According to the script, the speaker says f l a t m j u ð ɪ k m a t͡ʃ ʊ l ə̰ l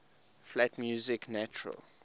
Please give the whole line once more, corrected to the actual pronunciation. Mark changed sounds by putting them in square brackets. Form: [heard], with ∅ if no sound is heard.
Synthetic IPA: f l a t m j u [z] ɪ k [n] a t͡ʃ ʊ [ɹ] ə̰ l